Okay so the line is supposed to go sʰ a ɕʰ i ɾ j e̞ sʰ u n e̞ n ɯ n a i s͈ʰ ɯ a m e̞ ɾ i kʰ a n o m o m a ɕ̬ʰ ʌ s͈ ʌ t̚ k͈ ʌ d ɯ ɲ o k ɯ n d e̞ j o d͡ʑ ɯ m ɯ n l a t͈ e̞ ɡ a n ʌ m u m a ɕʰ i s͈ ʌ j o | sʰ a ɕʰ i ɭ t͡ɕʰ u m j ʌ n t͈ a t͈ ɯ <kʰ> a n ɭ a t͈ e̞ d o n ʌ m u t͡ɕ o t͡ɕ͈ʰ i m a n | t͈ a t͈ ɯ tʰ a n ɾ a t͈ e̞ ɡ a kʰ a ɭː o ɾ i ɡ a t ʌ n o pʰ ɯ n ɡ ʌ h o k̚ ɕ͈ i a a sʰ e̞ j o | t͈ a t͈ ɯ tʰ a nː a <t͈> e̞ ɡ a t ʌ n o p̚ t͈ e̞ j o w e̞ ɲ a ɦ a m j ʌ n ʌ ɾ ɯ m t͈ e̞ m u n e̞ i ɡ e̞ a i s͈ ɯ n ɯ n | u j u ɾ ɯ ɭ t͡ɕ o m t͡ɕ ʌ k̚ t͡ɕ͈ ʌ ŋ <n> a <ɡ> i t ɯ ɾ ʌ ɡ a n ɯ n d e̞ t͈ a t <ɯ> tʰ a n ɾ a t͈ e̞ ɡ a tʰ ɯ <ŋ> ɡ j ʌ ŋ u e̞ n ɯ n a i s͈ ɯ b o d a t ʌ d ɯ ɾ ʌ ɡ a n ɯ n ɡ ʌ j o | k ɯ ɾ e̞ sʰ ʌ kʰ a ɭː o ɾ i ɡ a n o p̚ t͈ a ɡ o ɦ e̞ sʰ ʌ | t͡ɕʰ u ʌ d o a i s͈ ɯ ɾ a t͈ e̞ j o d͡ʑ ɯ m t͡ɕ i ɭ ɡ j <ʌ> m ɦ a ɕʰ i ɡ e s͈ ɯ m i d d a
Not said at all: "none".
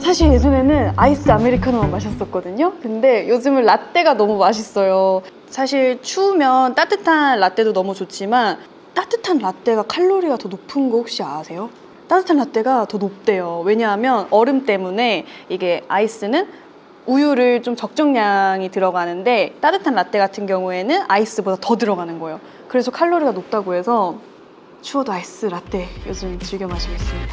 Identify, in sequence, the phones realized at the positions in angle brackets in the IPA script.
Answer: tʰ, t͈, ɲ, ŋ, ɯ, n, ʌ

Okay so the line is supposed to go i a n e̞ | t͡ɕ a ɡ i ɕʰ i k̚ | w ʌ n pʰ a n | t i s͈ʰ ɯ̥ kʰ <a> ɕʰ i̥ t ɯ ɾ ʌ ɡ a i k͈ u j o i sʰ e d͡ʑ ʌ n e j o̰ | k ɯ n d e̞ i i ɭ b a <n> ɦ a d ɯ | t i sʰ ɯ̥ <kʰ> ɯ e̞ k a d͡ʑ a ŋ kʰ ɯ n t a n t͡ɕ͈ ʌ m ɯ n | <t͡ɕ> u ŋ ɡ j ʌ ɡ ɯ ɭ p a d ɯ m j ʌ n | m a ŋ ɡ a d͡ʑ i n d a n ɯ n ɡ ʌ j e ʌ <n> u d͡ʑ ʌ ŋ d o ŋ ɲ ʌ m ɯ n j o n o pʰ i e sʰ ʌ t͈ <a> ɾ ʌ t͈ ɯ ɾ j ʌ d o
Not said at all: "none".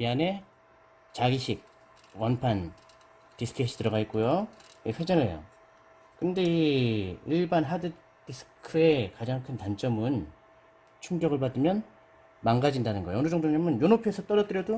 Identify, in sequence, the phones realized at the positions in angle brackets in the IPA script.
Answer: e, n, kʰ, t͡ɕʰ, n, ʌ

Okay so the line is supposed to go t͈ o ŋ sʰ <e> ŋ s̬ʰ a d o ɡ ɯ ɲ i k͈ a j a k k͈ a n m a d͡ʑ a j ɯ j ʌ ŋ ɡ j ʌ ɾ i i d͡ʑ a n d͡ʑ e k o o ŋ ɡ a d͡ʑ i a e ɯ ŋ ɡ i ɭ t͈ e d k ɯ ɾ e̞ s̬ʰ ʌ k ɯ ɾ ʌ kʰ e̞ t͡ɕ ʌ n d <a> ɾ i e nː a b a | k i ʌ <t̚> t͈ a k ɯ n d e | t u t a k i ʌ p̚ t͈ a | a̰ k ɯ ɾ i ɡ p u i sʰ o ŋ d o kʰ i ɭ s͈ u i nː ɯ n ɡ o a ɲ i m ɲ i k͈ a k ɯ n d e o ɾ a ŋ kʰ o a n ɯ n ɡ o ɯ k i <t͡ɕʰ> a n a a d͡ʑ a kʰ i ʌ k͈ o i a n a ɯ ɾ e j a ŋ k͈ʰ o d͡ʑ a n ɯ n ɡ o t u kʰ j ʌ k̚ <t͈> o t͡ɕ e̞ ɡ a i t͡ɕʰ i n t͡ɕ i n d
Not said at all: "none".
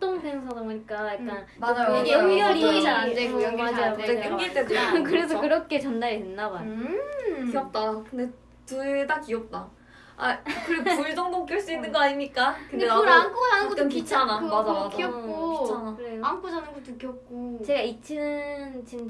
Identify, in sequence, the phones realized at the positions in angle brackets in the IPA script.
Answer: e, a, p̚, t͡ɕʰ, k͈

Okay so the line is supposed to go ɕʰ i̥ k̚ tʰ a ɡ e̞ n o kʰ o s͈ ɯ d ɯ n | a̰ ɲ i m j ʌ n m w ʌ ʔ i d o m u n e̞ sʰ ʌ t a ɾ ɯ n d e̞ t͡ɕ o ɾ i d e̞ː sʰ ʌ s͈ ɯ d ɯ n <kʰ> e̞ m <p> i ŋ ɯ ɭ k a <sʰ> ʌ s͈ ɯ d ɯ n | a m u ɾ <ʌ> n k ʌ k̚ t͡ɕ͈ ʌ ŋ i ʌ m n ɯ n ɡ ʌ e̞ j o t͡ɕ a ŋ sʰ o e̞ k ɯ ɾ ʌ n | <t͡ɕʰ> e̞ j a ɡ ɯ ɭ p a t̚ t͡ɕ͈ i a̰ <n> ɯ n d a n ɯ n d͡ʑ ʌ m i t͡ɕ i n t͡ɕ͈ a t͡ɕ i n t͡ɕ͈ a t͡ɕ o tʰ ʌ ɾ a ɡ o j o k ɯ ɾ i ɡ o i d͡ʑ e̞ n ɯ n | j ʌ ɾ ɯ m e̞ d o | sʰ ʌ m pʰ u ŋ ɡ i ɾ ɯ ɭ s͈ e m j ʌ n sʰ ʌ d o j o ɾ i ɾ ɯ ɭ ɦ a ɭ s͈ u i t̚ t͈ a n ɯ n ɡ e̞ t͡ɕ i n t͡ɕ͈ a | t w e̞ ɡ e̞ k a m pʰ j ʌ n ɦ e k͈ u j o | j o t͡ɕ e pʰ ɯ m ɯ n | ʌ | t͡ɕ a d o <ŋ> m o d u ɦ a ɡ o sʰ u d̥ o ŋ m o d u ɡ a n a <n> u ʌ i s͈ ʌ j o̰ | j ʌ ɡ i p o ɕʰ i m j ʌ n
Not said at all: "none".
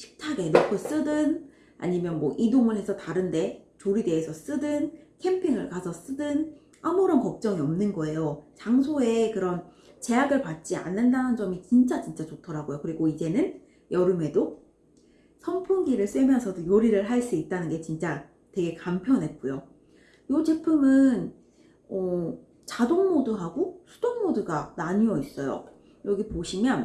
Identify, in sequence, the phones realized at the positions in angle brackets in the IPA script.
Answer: kʰ, pʰ, sʰ, ʌ, t͡ɕ, nː, ŋ, ɲ

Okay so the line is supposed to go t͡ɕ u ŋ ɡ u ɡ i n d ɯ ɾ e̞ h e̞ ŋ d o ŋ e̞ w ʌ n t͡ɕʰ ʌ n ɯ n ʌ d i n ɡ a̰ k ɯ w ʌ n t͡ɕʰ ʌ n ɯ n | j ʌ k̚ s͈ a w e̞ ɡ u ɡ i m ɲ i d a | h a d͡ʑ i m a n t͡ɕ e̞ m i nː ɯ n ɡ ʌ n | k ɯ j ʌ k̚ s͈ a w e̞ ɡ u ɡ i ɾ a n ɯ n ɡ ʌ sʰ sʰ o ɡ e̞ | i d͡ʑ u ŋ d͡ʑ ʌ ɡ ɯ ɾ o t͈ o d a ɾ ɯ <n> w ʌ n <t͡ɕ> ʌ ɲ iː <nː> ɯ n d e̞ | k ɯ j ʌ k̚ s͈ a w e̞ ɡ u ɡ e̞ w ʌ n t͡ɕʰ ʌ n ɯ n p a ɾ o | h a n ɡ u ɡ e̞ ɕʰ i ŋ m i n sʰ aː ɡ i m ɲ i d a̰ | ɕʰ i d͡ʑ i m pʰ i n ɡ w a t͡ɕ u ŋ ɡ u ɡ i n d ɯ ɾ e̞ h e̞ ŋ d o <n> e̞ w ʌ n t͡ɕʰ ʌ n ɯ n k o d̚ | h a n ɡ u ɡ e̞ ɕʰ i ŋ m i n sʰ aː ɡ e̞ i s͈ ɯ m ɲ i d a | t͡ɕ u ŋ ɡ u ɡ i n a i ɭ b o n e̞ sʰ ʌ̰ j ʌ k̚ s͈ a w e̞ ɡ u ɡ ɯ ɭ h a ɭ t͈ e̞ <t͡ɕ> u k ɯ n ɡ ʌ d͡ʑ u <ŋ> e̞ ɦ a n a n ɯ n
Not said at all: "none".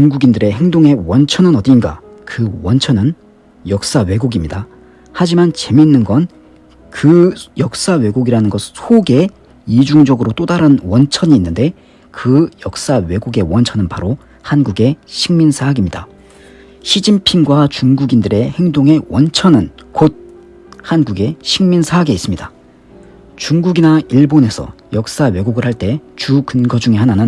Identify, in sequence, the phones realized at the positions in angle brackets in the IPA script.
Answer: n, t͡ɕʰ, nː, ŋ, t͡ɕ, ŋ

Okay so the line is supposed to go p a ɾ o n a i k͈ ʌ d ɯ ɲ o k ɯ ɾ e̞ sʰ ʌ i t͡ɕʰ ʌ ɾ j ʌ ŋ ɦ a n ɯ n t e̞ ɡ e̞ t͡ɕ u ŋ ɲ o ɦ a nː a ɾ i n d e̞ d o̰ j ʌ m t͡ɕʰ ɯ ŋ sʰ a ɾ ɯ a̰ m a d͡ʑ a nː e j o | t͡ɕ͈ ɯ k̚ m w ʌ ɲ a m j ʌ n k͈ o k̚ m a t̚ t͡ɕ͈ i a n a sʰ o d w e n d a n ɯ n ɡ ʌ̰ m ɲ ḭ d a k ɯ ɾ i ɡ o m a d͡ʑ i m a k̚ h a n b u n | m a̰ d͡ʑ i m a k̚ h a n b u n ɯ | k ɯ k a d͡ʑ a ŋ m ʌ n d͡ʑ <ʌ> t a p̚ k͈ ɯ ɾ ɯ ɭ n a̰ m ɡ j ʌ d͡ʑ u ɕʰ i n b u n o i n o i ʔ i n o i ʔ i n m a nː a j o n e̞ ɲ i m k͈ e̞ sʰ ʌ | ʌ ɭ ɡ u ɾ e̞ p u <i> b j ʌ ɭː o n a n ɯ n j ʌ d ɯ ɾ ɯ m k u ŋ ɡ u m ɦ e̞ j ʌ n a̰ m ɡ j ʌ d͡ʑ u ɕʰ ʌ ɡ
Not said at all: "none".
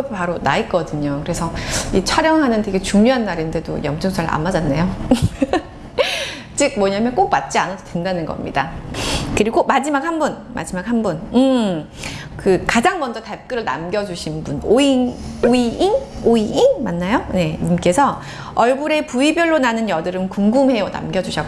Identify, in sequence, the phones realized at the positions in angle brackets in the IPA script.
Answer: ʌ, i

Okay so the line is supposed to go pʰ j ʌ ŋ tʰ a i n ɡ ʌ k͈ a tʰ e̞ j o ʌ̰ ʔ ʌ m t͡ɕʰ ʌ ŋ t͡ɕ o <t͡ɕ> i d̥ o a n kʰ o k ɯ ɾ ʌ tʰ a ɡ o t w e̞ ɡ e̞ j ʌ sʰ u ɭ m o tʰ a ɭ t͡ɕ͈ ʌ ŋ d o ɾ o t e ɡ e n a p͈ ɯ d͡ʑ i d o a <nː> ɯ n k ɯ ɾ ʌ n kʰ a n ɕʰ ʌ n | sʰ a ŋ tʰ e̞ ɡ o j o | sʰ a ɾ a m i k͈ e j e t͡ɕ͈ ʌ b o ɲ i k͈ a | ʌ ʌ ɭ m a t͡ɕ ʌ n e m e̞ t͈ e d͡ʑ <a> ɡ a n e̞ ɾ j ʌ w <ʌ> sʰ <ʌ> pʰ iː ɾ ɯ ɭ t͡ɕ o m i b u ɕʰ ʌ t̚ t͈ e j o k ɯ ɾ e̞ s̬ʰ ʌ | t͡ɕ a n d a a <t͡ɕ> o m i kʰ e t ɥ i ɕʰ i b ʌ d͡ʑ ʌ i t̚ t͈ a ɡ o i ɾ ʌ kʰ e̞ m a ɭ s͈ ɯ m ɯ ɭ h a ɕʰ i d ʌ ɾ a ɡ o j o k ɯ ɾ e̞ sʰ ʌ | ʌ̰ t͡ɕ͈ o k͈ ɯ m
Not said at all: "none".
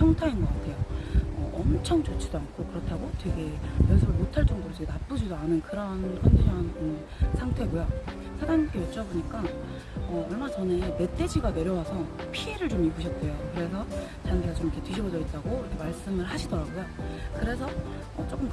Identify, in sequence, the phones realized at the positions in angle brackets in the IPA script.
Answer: t͡ɕʰ, n, i, a, ʌ, t͡ɕ

